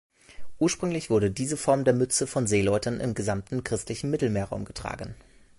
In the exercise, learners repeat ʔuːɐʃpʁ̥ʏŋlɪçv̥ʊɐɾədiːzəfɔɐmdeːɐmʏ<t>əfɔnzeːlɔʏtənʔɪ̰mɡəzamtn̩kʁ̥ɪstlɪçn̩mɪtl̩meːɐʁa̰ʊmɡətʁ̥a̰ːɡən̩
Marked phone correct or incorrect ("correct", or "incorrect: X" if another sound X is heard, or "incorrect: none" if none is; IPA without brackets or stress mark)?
incorrect: t͡s